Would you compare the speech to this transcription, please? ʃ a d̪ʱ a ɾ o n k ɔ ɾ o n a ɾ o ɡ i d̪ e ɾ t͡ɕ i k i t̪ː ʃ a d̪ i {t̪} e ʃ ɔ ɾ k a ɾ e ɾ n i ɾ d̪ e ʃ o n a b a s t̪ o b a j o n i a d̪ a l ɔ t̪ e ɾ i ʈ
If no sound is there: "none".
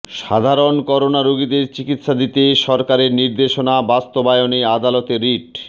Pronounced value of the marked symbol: t̪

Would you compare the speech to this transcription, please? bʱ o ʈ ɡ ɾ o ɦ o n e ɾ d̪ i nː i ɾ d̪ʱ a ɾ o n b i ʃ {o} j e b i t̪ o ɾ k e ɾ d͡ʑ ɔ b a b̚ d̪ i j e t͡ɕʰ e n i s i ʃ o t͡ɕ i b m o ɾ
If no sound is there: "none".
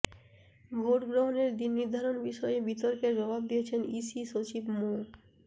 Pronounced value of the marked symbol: ɔ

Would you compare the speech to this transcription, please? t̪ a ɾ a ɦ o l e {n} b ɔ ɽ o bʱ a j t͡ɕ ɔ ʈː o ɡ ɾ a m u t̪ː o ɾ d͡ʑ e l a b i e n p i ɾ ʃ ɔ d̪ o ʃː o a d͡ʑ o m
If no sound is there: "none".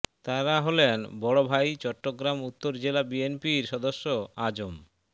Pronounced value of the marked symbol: n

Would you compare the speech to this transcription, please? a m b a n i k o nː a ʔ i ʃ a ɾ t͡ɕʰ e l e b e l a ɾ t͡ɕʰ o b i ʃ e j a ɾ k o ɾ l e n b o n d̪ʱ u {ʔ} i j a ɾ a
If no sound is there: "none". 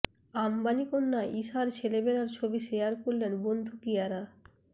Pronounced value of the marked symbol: k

